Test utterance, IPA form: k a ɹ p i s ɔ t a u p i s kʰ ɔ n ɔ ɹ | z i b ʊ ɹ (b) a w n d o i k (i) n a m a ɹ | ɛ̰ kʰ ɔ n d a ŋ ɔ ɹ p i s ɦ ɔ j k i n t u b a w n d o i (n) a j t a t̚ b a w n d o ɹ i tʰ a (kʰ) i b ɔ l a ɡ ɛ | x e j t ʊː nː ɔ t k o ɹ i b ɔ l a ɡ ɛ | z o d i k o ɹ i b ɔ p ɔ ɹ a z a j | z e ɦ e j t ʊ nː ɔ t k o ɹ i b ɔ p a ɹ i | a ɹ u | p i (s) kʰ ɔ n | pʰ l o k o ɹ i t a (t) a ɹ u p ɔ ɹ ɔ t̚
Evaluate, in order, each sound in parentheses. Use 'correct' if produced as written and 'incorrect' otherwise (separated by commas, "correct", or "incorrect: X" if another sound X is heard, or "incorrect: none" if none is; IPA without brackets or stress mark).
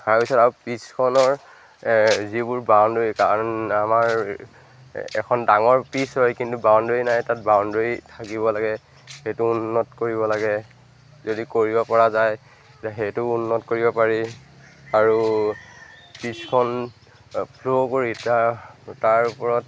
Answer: correct, incorrect: a, correct, incorrect: k, correct, correct